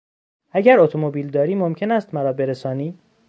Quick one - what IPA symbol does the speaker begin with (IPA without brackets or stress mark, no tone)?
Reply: æ